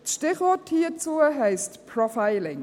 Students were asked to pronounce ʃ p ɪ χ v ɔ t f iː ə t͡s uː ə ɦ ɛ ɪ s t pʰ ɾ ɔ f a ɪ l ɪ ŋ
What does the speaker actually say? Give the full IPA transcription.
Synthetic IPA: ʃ t ɪ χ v ɔ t h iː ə t͡s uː ə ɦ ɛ ɪ s t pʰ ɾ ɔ f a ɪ l ɪ ŋ